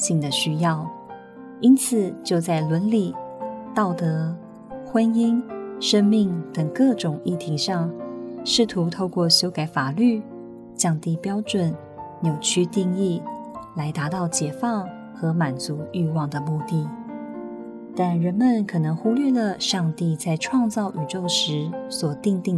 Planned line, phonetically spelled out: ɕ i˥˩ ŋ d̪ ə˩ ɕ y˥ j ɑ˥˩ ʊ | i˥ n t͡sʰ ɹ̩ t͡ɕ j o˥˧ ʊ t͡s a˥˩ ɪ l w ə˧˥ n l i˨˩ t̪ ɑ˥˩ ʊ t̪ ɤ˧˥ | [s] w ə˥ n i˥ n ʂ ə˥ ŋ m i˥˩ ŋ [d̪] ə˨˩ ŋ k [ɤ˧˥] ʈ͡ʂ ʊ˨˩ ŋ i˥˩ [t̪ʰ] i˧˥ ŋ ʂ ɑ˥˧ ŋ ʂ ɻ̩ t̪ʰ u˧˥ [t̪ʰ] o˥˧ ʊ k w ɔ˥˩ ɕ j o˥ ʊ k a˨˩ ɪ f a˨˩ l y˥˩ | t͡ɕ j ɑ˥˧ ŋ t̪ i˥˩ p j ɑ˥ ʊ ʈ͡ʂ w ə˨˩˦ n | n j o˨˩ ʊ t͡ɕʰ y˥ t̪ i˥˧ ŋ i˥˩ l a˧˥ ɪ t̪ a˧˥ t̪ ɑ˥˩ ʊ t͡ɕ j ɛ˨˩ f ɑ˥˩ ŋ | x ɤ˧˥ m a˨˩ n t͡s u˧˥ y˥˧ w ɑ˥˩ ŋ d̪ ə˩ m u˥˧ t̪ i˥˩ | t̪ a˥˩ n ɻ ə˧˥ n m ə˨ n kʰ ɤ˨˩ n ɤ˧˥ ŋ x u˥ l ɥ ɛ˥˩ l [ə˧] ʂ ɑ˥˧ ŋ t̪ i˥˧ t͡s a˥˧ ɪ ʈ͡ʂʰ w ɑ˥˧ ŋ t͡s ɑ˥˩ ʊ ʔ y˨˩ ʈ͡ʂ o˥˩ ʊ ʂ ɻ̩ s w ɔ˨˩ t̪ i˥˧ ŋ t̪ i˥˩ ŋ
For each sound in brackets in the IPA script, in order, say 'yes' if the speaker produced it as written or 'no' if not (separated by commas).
no, no, no, yes, yes, no